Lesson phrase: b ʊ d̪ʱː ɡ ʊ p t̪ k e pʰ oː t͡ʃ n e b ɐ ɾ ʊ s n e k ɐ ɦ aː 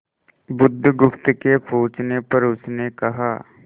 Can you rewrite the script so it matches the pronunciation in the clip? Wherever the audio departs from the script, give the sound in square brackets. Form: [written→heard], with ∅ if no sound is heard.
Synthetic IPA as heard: b ʊ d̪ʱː ɡ ʊ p t̪ k e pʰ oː t͡ʃ n e [b→p] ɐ ɾ ʊ s n e k ɐ ɦ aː